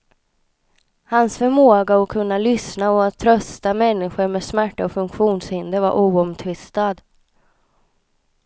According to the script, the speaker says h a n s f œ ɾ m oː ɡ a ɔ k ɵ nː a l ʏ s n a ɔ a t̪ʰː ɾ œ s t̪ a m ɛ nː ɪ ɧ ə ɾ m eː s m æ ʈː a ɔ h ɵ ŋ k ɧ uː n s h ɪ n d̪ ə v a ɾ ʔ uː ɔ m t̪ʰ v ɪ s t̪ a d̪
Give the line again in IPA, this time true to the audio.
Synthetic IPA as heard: h a n s f œ ɾ m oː ɡ a ɔ kʰ ɵ nː a l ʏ s n a ɔ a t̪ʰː ɾ œ s t̪ a m ɛ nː ɪ ɧ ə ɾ m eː s m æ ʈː a ɔ f ɵ ŋ k ɧ uː n s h ɪ n d̪ ə v a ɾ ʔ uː ɔ m t̪ʰ v ɪ s t̪ a d̪